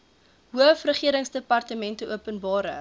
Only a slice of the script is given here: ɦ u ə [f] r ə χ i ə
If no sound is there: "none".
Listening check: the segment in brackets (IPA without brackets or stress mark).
f